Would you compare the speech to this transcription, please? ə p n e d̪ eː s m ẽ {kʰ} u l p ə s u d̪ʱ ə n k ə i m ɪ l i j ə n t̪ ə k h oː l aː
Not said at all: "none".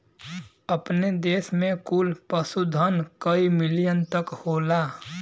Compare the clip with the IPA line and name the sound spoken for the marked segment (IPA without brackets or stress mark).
k